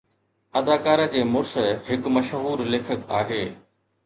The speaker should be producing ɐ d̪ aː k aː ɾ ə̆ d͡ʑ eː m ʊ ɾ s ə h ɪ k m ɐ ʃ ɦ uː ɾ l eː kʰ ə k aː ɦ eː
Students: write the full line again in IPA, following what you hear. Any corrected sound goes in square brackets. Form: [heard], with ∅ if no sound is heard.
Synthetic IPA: ɐ d̪ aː k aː ɾ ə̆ d͡ʑ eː m ʊ ɾ s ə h ɪ k m ɐ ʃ ɦ uː ɾ l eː kʰ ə k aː ɦ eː